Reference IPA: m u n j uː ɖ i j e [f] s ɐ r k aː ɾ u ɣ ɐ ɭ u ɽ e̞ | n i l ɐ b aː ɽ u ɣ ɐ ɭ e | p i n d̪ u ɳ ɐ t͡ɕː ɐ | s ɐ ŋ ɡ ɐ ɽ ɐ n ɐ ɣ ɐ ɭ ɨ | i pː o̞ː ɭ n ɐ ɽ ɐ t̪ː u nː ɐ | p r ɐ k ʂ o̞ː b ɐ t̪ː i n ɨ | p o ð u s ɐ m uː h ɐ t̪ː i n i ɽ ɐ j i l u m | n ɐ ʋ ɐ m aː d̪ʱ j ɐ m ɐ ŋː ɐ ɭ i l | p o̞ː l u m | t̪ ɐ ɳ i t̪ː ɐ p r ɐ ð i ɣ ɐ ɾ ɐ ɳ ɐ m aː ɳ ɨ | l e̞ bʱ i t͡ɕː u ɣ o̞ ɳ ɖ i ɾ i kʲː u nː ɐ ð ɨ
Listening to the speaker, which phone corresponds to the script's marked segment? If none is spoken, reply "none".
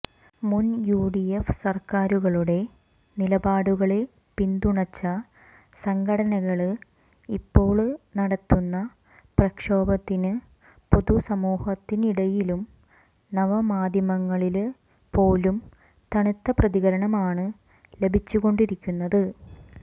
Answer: f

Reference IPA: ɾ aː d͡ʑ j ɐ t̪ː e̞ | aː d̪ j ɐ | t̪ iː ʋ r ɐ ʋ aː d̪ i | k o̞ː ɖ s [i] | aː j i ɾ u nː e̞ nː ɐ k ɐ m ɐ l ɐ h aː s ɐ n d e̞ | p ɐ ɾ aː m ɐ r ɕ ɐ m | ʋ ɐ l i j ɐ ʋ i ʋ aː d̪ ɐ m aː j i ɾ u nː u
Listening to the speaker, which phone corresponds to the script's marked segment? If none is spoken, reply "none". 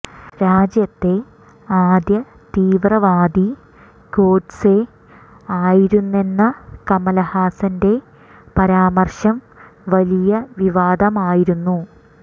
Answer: e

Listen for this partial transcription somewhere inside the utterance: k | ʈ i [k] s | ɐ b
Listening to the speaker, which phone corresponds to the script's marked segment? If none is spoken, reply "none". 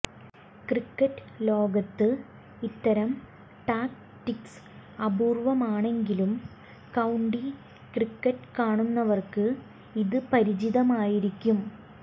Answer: k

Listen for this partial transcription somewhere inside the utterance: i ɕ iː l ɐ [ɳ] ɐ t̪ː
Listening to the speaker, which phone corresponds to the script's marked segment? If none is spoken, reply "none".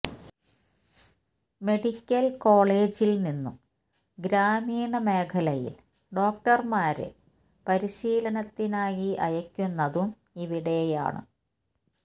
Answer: n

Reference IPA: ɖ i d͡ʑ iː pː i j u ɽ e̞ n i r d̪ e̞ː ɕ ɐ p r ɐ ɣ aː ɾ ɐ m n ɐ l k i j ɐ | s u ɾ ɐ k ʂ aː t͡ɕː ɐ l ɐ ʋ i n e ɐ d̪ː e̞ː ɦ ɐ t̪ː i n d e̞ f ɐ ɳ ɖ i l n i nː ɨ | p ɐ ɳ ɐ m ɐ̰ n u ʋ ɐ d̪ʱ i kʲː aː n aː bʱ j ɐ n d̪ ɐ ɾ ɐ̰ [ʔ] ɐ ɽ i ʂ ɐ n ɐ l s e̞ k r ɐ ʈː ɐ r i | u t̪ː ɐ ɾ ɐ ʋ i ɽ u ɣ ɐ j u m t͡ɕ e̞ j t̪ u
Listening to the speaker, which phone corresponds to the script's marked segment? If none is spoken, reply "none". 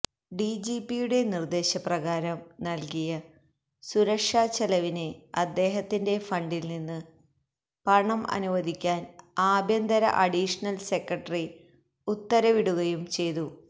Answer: ʔ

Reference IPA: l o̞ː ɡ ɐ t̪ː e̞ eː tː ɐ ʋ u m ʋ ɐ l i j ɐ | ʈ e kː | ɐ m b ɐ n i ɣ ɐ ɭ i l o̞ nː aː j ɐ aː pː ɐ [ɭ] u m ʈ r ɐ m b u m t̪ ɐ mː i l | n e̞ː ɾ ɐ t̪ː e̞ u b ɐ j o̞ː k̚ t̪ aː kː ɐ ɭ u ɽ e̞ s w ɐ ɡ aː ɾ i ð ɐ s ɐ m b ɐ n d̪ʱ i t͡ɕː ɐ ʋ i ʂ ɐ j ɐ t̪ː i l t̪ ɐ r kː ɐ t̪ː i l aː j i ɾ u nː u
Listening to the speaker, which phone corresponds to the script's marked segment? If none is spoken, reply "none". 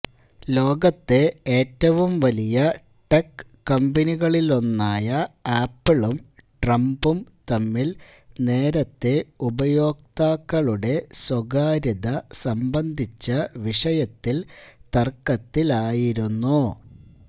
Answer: ɭ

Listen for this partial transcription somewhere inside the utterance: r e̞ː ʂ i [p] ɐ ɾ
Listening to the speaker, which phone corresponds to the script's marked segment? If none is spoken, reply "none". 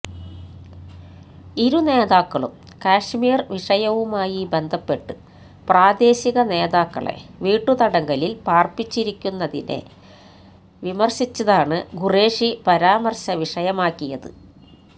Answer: p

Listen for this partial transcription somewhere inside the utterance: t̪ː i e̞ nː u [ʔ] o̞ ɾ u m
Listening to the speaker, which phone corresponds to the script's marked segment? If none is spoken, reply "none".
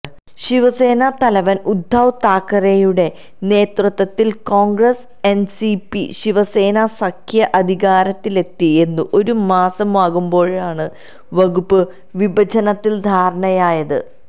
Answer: ʔ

